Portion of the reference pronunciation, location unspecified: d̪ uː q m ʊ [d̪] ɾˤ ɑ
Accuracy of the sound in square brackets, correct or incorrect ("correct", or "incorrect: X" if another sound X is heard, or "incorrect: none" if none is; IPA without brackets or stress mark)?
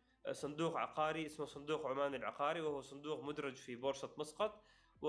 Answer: correct